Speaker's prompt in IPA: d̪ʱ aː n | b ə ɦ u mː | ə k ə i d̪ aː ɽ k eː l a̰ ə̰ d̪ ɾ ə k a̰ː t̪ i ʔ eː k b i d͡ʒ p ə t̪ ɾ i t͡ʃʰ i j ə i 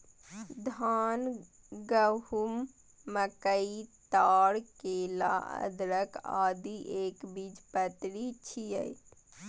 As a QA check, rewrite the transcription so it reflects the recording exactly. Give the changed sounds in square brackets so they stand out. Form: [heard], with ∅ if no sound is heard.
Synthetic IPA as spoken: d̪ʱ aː n | [ɡ] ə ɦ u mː | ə k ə i [t̪] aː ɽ k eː l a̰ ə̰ d̪ ɾ ə k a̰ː [d̪] i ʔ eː k b i d͡ʒ p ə t̪ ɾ i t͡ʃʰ i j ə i